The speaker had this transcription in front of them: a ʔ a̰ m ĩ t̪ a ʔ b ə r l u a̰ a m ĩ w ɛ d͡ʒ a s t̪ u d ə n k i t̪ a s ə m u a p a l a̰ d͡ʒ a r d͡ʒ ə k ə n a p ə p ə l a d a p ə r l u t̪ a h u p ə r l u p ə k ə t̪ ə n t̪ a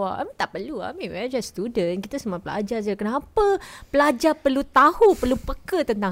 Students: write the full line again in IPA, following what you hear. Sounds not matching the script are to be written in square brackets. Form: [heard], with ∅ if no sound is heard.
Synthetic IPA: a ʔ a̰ m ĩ t̪ a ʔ [p] ə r l u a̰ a m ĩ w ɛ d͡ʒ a s t̪ u d ə n k i t̪ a s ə m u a p [ə] l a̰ d͡ʒ a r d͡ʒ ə k ə n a p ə p ə l a [d͡ʒ] a p ə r l u t̪ a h u p ə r l u p ə k ə t̪ ə n t̪ a